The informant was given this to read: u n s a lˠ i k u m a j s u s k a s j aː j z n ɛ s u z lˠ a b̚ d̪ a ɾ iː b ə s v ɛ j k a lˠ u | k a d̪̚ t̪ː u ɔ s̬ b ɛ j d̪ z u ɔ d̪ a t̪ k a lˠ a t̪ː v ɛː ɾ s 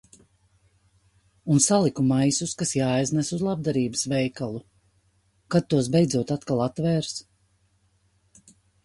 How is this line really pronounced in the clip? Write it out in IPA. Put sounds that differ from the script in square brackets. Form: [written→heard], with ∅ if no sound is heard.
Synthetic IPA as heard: u n s a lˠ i k u m a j s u s k a s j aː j z n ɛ s u z lˠ a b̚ d̪ a ɾ iː b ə s v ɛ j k a lˠ u | k a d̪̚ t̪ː u ɔ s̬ b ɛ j d̪ z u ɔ [d̪→t̪] a t̪ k a lˠ a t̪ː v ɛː ɾ s